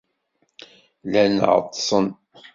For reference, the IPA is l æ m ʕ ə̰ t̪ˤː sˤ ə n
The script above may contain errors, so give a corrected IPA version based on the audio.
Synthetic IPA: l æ n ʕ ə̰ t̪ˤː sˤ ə n